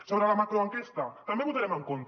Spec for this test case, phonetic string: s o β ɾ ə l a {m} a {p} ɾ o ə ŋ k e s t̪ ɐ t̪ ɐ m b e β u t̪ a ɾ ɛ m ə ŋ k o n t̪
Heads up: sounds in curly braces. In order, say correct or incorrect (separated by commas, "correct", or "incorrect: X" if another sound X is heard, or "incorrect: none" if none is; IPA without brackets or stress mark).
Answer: correct, incorrect: k